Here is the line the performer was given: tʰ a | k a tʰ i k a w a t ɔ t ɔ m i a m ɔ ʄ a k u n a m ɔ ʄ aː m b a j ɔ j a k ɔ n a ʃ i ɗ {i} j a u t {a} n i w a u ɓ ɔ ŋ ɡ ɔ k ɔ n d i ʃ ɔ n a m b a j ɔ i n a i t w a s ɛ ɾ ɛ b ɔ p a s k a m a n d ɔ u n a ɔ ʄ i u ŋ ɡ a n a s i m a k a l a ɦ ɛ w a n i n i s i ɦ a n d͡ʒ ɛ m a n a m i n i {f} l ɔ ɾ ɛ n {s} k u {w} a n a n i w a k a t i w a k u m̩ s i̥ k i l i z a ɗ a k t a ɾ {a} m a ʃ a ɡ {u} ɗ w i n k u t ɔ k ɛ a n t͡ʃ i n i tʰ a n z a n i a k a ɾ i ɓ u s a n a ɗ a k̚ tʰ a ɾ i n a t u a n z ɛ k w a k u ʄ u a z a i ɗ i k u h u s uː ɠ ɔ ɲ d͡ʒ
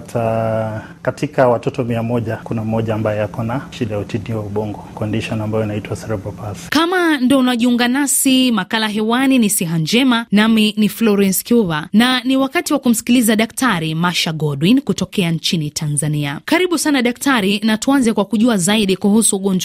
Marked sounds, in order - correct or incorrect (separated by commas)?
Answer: incorrect, incorrect, correct, correct, incorrect, incorrect, incorrect